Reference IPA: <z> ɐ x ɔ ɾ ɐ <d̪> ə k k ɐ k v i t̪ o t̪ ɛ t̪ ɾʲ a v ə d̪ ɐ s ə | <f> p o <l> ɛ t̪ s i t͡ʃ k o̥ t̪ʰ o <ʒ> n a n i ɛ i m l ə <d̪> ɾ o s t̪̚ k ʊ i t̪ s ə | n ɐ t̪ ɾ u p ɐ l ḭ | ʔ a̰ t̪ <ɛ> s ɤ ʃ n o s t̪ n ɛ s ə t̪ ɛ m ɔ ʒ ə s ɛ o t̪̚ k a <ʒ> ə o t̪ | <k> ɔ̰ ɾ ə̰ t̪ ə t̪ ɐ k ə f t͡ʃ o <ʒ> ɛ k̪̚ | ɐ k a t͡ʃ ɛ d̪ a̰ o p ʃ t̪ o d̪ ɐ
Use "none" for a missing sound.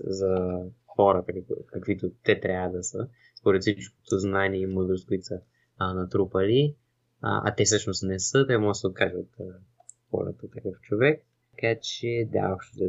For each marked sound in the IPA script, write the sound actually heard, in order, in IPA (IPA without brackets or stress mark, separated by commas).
z, t̪, s, ɾ, z, d̪, ɛ, ʒ, x, v